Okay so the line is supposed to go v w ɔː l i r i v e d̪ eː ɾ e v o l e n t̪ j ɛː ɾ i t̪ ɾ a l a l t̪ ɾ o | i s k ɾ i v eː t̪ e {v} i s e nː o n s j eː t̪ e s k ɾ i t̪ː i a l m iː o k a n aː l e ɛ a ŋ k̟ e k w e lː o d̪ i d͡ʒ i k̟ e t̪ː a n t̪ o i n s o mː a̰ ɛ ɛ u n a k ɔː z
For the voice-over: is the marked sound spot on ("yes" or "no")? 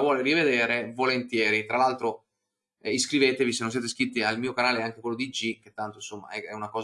yes